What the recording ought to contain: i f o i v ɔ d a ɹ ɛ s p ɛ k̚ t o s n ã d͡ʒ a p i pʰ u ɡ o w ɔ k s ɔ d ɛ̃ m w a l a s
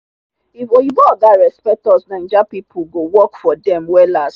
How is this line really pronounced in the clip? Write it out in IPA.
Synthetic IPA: i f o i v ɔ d a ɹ ɛ s p ɛ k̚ t ɔ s n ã d͡ʒ a p i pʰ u ɡ o w ɔ k f ɔ d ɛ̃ m w ɛ l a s